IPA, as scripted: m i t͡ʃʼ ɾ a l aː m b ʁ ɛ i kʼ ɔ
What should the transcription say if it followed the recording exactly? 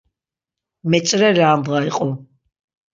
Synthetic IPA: m ɛ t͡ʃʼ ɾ ɛ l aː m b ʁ a i qʼ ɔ